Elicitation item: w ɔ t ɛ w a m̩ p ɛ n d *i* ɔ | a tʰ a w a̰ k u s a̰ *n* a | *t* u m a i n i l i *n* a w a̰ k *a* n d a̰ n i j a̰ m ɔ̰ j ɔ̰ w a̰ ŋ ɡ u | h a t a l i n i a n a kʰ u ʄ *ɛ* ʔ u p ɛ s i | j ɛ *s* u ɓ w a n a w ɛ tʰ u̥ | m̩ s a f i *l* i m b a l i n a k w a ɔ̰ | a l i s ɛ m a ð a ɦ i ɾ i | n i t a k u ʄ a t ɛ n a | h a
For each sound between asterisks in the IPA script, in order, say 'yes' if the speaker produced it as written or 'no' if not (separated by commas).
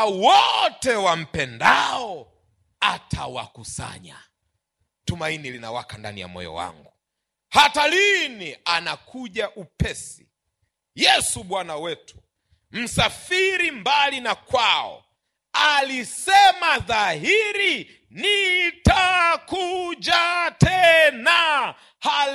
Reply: no, no, yes, yes, yes, no, yes, no